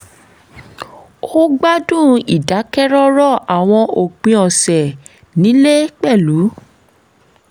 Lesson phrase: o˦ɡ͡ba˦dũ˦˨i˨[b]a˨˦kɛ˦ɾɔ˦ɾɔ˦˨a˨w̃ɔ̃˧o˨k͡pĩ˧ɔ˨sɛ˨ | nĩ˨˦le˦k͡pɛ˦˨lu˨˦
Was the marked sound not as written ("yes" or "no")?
yes